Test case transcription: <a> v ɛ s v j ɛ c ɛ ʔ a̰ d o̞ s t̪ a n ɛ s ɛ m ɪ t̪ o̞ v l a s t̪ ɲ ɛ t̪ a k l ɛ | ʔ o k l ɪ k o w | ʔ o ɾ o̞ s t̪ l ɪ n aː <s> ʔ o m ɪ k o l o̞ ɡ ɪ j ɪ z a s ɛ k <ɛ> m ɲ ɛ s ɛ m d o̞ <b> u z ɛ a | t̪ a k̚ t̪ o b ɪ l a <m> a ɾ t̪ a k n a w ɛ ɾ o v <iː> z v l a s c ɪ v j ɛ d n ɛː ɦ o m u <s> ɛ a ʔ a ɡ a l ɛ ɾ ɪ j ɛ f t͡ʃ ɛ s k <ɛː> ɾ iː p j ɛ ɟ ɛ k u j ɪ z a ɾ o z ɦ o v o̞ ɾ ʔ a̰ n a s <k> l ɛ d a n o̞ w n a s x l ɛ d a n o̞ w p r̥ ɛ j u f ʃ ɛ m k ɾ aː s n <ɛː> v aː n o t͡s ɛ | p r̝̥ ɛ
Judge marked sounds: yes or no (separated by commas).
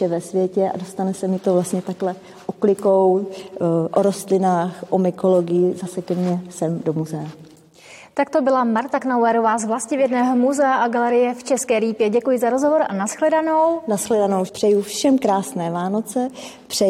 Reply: no, no, yes, no, yes, no, no, yes, no, yes